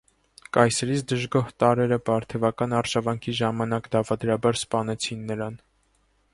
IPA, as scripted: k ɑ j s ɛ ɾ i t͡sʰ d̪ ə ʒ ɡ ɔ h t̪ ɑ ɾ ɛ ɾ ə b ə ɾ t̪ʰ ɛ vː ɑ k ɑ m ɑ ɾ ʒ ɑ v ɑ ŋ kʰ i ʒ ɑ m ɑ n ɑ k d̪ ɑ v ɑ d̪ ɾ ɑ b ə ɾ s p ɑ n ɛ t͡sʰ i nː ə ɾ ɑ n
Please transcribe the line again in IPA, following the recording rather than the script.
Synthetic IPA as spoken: k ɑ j s ɛ ɾ i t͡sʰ d̪ ə ʒ ɡ ɔ h t̪ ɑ ɾ ɛ ɾ ə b ɑ ɾ t̪ʰ ɛ v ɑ k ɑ n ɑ ɾ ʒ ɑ v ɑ ŋ kʰ i ʒ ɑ m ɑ n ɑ k d̪ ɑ v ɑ d̪ ɾ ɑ b ɑ ɾ s p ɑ n ɛ t͡sʰ i nː ə ɾ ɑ n